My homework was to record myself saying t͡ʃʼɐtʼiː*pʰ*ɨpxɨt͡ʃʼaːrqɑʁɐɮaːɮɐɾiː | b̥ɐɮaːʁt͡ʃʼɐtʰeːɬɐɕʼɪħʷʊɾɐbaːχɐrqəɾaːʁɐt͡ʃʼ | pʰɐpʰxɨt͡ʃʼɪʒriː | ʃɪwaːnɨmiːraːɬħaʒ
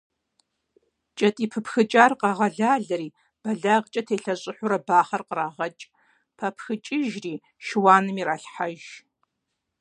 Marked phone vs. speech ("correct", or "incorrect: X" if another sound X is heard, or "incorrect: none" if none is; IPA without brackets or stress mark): correct